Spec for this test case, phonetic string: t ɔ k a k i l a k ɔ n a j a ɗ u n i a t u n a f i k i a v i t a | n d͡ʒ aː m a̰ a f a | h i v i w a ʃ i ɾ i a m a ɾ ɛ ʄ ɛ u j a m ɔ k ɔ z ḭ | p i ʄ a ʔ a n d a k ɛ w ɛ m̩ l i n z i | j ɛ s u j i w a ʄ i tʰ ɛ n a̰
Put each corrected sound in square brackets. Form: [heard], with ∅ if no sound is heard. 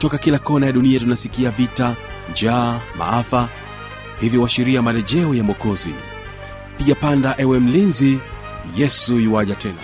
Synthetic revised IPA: t ɔ k a k i l a k ɔ n a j a ɗ u n i a t u n a [s] i k i a v i t a | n d͡ʒ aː m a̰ a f a | h i v i w a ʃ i ɾ i a m a [l] ɛ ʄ ɛ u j a m ɔ k ɔ z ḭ | p i ʄ a [p] a n d a [ʔ] ɛ w ɛ m̩ l i n z i | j ɛ s u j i w a ʄ [a] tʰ ɛ n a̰